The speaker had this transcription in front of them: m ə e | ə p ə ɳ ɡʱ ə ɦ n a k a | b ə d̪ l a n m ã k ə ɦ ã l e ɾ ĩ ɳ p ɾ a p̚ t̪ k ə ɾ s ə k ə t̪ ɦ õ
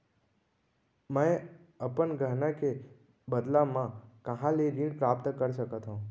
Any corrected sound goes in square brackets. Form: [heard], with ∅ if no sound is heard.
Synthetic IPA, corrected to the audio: m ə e | ə p ə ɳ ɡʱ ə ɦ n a k [e] | b ə d̪ l a [∅] m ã k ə ɦ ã l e ɾ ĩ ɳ p ɾ a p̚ t̪ k ə ɾ [ʃ] ə k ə t̪ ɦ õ